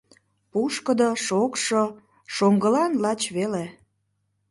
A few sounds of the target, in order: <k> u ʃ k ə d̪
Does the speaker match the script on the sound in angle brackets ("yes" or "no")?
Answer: no